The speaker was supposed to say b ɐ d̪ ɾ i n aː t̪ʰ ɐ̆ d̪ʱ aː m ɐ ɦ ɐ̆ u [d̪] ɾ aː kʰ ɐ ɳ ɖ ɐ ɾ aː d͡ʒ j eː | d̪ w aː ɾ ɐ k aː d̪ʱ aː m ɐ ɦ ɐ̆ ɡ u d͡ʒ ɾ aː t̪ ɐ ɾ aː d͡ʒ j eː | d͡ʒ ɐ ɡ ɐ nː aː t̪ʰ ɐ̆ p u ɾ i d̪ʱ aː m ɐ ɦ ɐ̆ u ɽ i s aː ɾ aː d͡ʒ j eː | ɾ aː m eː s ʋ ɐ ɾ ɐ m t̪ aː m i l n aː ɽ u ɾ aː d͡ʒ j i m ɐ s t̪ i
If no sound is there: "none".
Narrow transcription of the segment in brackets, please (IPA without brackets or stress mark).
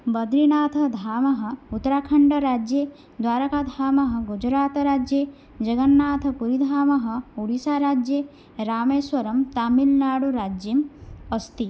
t̪